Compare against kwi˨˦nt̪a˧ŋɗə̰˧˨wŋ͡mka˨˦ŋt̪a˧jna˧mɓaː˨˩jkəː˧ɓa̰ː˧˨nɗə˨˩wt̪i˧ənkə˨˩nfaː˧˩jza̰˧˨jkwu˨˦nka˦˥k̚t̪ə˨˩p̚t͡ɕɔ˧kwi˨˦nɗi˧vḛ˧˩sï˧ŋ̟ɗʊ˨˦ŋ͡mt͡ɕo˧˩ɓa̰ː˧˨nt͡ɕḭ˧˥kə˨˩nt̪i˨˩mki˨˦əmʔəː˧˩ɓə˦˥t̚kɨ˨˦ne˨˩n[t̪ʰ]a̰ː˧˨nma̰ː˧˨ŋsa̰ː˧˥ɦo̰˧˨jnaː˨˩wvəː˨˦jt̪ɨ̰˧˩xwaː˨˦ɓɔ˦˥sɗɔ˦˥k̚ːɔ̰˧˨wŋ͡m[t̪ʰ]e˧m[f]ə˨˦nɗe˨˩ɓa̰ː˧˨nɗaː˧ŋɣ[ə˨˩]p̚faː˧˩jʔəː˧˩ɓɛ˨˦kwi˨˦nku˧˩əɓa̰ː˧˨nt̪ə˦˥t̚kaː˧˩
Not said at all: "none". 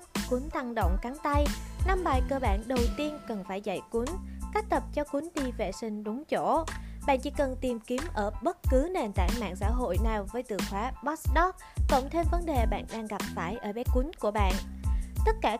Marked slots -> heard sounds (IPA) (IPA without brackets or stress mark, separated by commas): t̪, t̪ʰ, v, a˨˩